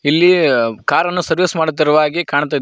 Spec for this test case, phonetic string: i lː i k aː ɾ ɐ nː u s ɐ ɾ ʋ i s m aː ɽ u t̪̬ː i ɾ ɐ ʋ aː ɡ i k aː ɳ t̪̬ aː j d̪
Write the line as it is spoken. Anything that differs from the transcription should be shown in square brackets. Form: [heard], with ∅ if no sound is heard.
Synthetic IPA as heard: i lː i k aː ɾ ɐ nː u s ɐ ɾ ʋ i s m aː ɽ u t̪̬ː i ɾ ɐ ʋ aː ɡ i k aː ɳ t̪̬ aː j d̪